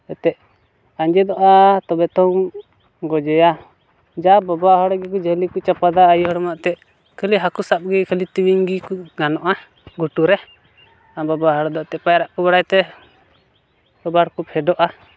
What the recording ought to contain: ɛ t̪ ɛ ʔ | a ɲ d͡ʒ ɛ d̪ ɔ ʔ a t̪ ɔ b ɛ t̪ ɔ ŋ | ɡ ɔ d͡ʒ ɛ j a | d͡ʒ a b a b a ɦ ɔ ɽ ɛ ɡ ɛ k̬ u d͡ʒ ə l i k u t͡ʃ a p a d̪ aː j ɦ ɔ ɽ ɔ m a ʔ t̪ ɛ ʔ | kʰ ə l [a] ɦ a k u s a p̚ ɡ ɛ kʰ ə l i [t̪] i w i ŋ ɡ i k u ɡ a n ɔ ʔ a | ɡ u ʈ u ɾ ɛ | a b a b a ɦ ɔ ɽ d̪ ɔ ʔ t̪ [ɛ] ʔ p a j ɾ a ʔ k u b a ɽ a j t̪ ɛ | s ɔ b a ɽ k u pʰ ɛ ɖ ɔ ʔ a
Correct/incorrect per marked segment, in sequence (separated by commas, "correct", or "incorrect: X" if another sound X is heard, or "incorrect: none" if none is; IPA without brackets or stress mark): incorrect: i, correct, correct